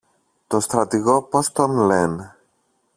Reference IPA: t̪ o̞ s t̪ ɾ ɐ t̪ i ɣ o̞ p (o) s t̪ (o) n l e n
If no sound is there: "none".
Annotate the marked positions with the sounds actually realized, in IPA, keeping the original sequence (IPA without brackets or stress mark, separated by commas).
o, o